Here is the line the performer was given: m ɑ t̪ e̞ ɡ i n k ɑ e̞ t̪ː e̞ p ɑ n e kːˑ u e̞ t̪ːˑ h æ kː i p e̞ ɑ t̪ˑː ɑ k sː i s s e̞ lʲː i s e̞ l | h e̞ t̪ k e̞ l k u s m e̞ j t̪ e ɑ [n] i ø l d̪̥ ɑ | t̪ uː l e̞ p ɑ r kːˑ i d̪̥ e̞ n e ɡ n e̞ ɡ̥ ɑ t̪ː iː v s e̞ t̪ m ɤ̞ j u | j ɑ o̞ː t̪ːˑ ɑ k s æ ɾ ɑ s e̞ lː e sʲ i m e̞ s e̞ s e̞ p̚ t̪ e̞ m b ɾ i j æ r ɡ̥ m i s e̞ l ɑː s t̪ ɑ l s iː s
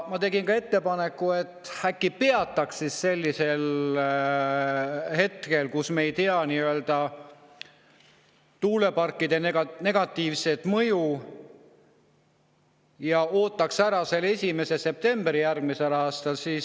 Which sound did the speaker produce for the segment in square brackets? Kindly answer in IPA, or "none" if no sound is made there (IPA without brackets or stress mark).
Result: n